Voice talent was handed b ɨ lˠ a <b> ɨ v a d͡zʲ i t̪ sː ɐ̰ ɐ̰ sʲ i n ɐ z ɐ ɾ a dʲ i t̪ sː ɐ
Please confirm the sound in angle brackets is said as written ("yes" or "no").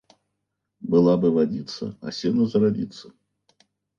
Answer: yes